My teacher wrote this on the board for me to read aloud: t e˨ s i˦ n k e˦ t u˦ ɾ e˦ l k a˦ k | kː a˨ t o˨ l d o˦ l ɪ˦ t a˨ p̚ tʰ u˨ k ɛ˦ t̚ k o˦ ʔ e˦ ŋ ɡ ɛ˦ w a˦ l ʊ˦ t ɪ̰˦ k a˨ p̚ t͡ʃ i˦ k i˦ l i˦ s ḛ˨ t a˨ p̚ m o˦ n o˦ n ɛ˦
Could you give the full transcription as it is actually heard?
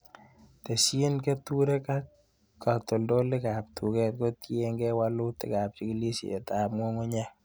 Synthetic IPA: t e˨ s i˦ n k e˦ t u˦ ɾ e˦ k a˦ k | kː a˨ t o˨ l d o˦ l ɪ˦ k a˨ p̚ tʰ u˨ k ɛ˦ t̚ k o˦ t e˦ ŋ ɡ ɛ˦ w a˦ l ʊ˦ t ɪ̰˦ k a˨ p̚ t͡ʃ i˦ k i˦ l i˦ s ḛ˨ t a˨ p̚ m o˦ ŋ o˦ ɲ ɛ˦